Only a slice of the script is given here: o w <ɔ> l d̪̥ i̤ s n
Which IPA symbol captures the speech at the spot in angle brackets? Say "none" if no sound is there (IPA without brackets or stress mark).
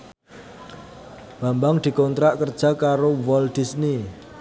ɔ